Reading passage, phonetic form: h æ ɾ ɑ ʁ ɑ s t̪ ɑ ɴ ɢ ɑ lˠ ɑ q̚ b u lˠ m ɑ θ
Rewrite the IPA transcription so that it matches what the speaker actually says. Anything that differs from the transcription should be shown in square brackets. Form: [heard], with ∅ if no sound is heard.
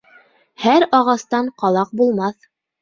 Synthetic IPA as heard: h æ ɾ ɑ ʁ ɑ s t̪ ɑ ɴ [q] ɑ lˠ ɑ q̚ b u lˠ m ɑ θ